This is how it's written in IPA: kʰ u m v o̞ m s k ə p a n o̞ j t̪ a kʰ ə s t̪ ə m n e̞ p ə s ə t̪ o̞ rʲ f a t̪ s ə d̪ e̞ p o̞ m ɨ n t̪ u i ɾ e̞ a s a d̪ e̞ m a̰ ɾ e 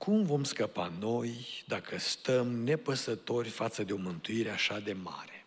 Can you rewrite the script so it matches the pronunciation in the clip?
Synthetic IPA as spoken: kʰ u m v o̞ m s k ə p a n o̞ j d̪ a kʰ ə s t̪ ə m n e̞ p ə s ə t̪ o̞ rʲ f a t̪ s ə d̪ e̞ o̞ m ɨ n t̪ u i ɾ e̞ a ʃ a d̪ e̞ m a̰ ɾ e